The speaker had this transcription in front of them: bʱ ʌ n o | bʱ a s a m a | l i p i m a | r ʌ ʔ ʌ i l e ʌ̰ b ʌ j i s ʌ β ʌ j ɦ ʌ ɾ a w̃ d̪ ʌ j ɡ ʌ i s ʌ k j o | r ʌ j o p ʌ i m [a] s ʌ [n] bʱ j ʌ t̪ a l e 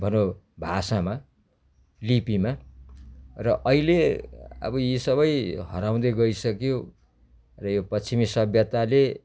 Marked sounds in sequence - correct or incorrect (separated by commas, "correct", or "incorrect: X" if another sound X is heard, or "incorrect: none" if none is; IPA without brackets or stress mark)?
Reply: incorrect: i, incorrect: none